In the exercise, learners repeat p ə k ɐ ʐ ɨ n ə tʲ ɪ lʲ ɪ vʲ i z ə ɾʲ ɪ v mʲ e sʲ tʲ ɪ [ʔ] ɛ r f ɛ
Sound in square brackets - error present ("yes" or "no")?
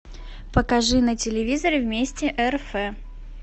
no